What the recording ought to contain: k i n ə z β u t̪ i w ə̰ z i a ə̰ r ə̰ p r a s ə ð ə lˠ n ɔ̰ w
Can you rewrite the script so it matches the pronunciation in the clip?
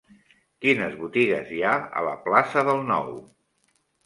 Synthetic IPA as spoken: k i n ə z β u t̪ i ɣ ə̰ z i a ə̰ l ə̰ p l a s ə ð ə lˠ n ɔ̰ w

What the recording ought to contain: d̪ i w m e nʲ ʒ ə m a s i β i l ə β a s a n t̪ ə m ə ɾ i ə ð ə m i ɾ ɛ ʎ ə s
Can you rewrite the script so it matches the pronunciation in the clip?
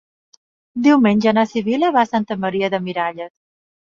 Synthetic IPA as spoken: d̪ i w m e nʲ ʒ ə n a s i β i l ə β a s a n t̪ ə m ə ɾ i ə ð ə m i ɾ a ʎ ə s

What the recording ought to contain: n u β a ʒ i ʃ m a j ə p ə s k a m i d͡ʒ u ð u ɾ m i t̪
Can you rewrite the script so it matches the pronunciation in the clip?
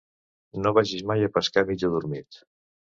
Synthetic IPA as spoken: n o β a ʒ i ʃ m a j ə p ə s k a m i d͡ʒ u ð u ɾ m i t̪

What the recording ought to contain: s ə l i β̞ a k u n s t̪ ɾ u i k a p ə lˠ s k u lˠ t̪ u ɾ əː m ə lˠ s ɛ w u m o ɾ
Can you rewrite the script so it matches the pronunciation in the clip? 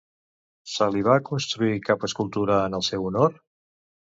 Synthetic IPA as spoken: s ə l i β̞ a k u n s t̪ ɾ u i k a p ə s k u lˠ t̪ u ɾ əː n ə lˠ s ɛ w u n o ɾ

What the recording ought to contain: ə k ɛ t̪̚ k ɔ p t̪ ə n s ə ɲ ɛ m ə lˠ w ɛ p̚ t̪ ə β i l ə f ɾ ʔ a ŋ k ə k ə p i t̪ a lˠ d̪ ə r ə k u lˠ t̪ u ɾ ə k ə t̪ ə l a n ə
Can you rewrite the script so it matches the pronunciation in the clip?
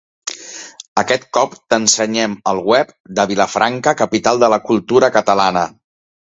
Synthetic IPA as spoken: ə k ɛ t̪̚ k ɔ p t̪ ə n s ə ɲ ɛ m ə lˠ w ɛ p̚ d̪ ə β i l ə f ɾ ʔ a ŋ k ə k ə p i t̪ a lˠ d̪ ə l ə k u lˠ t̪ u ɾ ə k ə t̪ ə l a n ə

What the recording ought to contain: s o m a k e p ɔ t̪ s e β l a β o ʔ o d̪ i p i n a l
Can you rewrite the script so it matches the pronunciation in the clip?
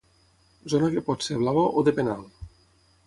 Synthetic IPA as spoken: z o n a k e p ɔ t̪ s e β l a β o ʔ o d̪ e p e n a l

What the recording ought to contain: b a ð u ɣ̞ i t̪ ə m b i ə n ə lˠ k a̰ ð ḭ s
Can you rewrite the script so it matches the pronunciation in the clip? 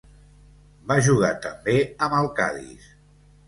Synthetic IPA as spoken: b a ʒ u ɣ̞ a t̪ ə m b e ə m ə lˠ k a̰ ð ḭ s

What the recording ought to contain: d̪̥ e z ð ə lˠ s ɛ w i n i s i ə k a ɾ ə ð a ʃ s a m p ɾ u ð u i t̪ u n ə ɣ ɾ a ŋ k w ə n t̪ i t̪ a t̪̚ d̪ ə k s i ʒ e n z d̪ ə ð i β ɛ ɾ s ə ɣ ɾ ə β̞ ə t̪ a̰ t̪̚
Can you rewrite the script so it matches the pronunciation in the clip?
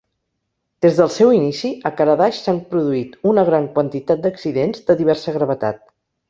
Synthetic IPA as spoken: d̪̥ e z ð ə lˠ s ɛ w i n i s i ə k a ɾ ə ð a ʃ s a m p ɾ u ð u i t̪ u n ə ɣ ɾ a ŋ k w ə n t̪ i t̪ a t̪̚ d̪ ə k s i ð e n z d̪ ə ð i β ɛ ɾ s ə ɣ ɾ ə β̞ ə t̪ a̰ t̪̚

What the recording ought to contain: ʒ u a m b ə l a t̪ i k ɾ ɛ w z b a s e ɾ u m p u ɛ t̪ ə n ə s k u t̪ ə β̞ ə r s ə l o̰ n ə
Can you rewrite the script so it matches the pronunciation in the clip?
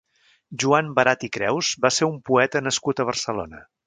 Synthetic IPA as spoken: ʒ u a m b ə ɾ a t̪ i k ɾ ɛ w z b a s e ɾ u m p u ɛ t̪ ə n ə s k u t̪ ə β̞ ə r s ə l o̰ n ə

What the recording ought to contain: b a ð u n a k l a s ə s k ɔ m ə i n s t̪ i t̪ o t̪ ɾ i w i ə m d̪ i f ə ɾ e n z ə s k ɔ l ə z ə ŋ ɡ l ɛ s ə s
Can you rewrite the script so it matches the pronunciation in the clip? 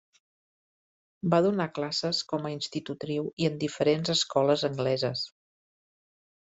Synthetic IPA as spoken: b a ð u n a k l a s ə s k ɔ m ə i n s t̪ i t̪ u t̪ ɾ i w i ə n d̪ i f ə ɾ e n z ə s k ɔ l ə z ə ŋ ɡ l ɛ z ə s

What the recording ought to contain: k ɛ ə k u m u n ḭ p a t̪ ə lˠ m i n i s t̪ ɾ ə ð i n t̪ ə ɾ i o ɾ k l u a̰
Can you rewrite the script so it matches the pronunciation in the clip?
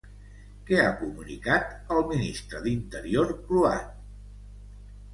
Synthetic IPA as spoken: k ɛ a k u m u n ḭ k a t̪ ə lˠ m i n i s t̪ ɾ ə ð i n t̪ ə ɾ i o ɾ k l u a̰

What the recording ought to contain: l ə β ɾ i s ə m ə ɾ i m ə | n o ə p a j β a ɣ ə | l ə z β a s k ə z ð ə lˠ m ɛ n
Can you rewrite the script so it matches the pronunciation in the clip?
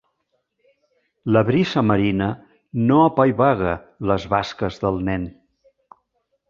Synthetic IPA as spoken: l ə β ɾ i s ə m ə ɾ i n ə | n o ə p a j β a ɣ ə | l ə z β a s k ə z ð ə lˠ n ɛ n

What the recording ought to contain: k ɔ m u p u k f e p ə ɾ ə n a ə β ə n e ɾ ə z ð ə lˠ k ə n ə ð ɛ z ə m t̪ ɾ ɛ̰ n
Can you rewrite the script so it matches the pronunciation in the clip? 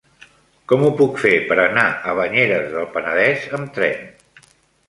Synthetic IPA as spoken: k ɔ m u p u k f e p ə ɾ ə n a ə β ə ɲ e ɾ ə z ð ə lˠ p ə n ə ð ɛ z ə m t̪ ɾ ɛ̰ n

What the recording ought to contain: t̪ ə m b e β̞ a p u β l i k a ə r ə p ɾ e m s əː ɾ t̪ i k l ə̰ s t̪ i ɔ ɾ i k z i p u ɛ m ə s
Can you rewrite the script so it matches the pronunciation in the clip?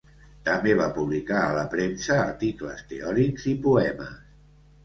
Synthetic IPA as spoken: t̪ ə m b e β̞ a p u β l i k a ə l ə p ɾ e m s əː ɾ t̪ i k l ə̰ s t̪ e ɔ ɾ i k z i p u ɛ m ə s

